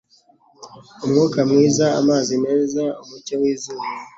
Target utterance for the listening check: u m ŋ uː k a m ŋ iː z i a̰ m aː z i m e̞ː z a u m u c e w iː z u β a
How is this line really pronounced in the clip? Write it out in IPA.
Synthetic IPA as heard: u m ŋ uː k a m ŋ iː z a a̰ m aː z i n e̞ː z a u m u c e w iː z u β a